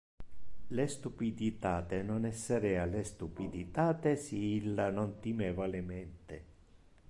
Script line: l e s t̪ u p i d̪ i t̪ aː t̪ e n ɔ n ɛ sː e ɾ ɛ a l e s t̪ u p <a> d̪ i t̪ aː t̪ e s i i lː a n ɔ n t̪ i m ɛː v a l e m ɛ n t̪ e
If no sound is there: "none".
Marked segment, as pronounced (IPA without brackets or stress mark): i